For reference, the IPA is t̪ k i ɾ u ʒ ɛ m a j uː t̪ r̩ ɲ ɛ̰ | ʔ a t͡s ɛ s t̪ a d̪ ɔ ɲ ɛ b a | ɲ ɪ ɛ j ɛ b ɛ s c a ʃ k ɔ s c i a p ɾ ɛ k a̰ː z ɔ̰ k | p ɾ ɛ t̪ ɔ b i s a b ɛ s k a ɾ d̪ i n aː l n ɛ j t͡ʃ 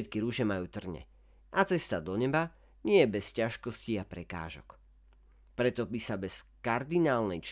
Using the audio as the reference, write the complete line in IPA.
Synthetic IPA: t̪ k i ɾ u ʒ ɛ m a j uː t̪ r̩ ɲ ɛ̰ | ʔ a t͡s ɛ s t̪ a d̪ ɔ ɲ ɛ b a | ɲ ɪ ɛ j ɛ b ɛ s c a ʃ k ɔ s c i a p ɾ ɛ k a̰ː ʒ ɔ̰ k | p ɾ ɛ t̪ ɔ b i s a b ɛ s k a ɾ d̪ i n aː l n ɛ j t͡ʃ